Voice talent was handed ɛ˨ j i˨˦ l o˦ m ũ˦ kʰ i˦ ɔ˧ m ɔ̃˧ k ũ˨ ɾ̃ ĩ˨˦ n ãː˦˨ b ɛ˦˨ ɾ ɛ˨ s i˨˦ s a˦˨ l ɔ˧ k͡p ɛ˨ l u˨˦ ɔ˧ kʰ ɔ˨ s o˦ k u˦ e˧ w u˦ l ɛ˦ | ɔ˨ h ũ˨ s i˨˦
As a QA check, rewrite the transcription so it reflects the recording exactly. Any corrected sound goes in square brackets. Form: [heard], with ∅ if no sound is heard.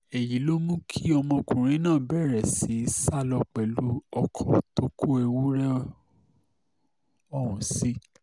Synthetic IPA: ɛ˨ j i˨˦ l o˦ m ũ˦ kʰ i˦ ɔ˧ m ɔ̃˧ k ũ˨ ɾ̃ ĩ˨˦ n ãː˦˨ b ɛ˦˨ ɾ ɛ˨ s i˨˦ s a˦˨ l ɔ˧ k͡p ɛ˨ l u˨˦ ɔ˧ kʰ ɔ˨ [t] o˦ k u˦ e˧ w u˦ [ɾ] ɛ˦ | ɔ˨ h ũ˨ s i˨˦